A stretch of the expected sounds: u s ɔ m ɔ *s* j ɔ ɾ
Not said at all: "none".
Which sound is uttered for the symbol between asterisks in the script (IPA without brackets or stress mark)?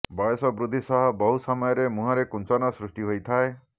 none